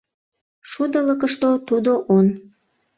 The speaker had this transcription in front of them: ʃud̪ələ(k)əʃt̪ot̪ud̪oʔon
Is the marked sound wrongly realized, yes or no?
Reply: no